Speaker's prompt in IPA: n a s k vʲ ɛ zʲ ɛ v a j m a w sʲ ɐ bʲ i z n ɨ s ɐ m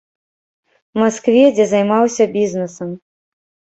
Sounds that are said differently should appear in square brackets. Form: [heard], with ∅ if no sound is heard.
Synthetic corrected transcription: [m] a s k vʲ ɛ [d͡zʲ] ɛ [z] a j m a w sʲ ɐ bʲ i z n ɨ s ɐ m